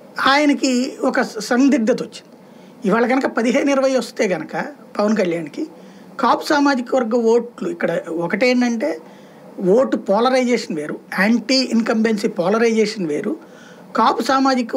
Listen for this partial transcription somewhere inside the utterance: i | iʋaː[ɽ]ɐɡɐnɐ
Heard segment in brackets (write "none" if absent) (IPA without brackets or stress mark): ɭ